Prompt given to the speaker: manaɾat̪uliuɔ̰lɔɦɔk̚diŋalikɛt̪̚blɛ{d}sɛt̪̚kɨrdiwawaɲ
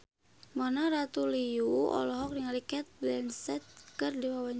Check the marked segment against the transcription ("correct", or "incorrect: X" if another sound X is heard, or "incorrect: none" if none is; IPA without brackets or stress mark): incorrect: n